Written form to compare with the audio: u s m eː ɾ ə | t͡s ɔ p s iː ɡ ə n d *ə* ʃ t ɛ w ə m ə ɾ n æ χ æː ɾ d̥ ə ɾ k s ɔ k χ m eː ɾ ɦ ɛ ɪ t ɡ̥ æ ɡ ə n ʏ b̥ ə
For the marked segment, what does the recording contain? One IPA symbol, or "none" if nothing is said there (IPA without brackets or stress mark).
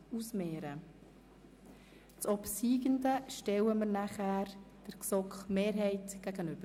ə